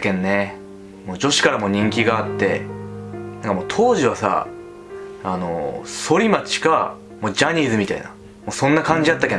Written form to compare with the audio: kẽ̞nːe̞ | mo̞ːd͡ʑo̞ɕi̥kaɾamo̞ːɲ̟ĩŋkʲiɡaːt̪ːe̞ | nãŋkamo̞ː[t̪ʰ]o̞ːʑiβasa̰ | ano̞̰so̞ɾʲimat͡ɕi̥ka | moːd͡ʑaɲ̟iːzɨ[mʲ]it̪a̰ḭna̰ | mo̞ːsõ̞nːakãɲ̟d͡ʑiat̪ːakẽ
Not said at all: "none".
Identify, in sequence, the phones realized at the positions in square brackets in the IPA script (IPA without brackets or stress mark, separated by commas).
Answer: t̪ʰ, mʲ